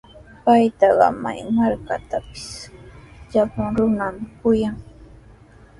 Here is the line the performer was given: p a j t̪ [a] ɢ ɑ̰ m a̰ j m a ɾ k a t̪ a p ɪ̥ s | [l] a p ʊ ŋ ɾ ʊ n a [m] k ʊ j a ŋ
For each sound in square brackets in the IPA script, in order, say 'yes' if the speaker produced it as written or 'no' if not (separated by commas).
no, no, yes